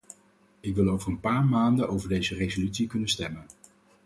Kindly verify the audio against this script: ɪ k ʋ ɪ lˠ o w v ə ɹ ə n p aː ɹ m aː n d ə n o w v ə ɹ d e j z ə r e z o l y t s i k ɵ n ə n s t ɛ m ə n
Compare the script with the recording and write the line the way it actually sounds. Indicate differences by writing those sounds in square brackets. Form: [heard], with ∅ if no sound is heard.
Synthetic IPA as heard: ɪ k ʋ ɪ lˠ o w v ə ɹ ə n p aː ɹ m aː n d ə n o w v ə ɹ d e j z ə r e z o l y t s i k ɵ n ə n s t ɛ m ə n

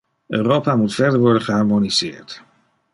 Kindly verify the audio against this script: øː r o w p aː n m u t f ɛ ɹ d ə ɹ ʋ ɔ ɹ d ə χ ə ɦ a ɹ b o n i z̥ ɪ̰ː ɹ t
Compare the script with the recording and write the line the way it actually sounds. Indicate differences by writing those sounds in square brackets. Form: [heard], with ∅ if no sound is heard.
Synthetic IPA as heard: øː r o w p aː [∅] m u t f ɛ ɹ d ə ɹ ʋ ɔ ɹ d ə χ ə ɦ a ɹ [m] o n i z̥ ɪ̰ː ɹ t

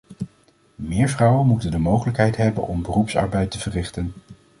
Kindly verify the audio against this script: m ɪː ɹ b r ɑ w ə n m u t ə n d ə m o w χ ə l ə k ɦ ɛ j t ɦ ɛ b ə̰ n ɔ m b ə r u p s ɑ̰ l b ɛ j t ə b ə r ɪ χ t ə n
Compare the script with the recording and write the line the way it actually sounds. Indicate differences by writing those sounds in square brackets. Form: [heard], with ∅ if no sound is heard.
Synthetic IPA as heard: m ɪː ɹ [v] r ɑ w ə n m u t ə n d ə m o w χ ə l ə k ɦ ɛ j t ɦ ɛ b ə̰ n ɔ m b ə r u p s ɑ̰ [ɹ] b ɛ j t ə [v] ə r ɪ χ t ə n

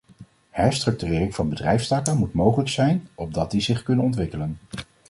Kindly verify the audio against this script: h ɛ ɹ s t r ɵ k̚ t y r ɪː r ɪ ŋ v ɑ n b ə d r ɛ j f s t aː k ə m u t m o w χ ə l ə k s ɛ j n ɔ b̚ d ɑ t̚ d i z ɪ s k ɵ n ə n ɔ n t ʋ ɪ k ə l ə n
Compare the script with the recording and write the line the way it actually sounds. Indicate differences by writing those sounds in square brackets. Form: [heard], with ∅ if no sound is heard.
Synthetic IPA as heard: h ɛ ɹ s t r ɵ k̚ t y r ɪː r ɪ ŋ v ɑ n b ə d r ɛ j f s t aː k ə m u t m o w χ ə l ə k s ɛ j n ɔ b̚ d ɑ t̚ d i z ɪ [χ] k ɵ n ə n ɔ n t ʋ ɪ k ə l ə n

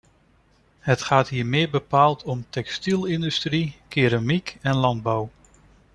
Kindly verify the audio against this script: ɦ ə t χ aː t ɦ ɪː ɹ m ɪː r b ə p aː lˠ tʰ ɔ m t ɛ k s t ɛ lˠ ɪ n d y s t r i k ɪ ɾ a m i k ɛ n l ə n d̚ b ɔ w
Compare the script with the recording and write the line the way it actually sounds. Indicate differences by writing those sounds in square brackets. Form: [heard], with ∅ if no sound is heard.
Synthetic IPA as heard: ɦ ə t χ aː t ɦ [iː] ɹ m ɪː [ɹ] b ə p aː lˠ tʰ ɔ m t ɛ k s t [i] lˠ ɪ n d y s t r i k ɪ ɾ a m i k ɛ n l [ɑ] n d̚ b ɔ w

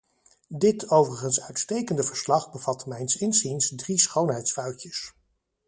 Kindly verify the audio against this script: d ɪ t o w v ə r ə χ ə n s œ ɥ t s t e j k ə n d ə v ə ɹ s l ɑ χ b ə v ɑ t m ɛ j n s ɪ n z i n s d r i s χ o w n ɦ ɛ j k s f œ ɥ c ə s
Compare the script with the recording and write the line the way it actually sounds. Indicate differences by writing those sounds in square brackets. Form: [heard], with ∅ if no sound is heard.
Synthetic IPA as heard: d ɪ t o w v ə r ə χ ə n s œ ɥ t s t e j k ə n d ə v ə ɹ s l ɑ χ b ə v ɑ t m ɛ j n s ɪ n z i n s d r i s χ o w n ɦ ɛ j [t] s f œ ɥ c ə s

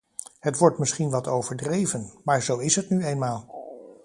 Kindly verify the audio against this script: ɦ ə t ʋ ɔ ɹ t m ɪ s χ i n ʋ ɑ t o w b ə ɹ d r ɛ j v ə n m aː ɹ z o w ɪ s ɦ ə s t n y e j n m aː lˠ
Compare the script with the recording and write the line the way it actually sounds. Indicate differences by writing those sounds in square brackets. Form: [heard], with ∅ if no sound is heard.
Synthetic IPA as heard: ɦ ə t ʋ ɔ ɹ t m ɪ s χ i n ʋ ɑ t o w [v] ə ɹ d r [e] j v ə n m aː ɹ z o w ɪ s ɦ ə [∅] t n y e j n m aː lˠ

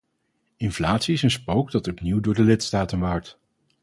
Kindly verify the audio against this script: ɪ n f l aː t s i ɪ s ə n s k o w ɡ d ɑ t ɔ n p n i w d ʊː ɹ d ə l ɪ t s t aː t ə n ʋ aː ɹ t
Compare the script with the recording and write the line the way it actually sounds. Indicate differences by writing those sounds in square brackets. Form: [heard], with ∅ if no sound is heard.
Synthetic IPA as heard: ɪ n f l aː t s i ɪ s ə n s [p] o w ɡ d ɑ t ɔ [∅] p n i w d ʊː ɹ d ə l ɪ t s t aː t ə n ʋ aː ɹ t

